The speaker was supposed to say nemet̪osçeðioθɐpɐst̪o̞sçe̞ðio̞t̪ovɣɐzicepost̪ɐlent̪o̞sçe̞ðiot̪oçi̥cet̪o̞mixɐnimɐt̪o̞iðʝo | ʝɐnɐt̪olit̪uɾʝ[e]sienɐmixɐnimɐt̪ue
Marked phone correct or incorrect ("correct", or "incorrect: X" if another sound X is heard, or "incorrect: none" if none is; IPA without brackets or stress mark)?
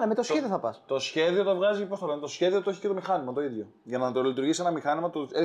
incorrect: i